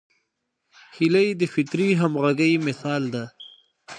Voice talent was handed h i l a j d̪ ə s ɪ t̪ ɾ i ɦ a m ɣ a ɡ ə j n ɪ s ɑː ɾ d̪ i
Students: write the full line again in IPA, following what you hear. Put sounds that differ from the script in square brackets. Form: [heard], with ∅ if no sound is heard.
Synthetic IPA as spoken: h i l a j d̪ ə [f] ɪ t̪ ɾ i ɦ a m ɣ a ɡ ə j [m] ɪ s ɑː [l] d̪ [a]